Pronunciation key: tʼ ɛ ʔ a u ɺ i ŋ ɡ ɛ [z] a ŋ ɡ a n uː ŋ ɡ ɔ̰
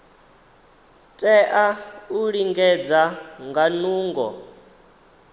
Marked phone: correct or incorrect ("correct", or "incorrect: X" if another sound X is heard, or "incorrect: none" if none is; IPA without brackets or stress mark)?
incorrect: d͡z